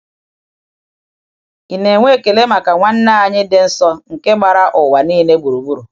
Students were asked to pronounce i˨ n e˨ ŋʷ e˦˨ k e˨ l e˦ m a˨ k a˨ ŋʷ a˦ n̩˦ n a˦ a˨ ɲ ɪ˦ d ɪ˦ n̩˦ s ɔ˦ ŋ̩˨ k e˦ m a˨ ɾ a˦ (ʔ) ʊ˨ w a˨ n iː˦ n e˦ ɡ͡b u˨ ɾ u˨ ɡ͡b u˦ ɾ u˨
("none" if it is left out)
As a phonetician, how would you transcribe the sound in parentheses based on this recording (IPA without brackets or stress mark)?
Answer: ʔ